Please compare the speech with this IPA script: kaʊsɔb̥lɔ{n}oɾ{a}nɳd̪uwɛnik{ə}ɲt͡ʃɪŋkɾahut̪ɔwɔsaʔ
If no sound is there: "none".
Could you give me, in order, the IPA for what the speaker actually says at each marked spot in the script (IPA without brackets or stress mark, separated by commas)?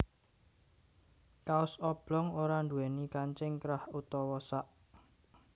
ŋ, a, a